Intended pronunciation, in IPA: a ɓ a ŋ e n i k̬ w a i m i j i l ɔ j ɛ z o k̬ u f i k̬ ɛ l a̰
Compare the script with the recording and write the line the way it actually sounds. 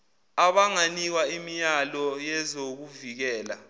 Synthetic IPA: a ɓ a ŋ a n i k̬ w a i m i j a l ɔ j ɛ z o k̬ u v i k̬ ɛː l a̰